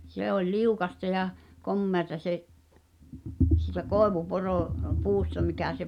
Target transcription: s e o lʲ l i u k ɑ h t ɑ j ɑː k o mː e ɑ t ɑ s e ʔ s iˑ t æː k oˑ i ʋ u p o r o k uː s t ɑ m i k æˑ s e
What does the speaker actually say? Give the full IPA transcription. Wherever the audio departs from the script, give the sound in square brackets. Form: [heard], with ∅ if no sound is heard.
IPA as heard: s e o lʲ l i u k ɑ [s] t ɑ j [ɑ] k o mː e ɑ t ɑ s e ʔ s iˑ t [æ] k oˑ [e] ʋ u p o r o [p] uː s t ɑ m i k æˑ s e